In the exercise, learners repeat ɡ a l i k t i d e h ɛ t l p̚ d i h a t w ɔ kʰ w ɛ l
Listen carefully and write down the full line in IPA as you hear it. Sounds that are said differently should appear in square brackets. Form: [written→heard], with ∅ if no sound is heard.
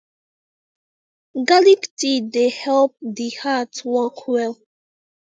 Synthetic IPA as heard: ɡ a l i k t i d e h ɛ [t→∅] l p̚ d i h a t w ɔ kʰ w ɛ l

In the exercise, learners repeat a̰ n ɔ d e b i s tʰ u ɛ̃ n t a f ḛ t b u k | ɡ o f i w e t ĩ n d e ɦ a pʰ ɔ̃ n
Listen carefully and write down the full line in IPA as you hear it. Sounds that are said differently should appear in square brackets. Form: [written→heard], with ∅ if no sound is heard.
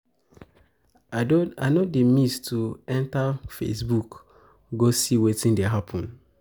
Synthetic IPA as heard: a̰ n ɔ d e [b→m] i s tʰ u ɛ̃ n t a f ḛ [t→s] b u k | ɡ o [f→s] i w e t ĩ n d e ɦ a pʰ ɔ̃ n

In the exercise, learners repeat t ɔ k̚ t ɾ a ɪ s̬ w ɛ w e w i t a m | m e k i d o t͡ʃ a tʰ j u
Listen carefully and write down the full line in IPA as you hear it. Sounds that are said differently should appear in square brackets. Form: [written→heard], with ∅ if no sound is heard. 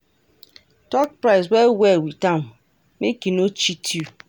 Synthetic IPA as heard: t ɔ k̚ [t→p] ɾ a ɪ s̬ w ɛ w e w i t a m | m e k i [d→n] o t͡ʃ [a→i] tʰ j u

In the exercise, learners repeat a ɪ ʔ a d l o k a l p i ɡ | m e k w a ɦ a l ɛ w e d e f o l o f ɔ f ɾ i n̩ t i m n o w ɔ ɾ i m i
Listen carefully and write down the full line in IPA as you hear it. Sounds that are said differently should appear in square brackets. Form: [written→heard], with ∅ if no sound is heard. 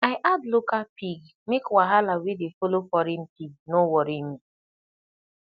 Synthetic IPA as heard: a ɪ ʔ a d l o k a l p i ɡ | m e k w a ɦ a l [ɛ→a] w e d e f o l o f ɔ [f→∅] ɾ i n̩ t i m n o w ɔ ɾ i m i

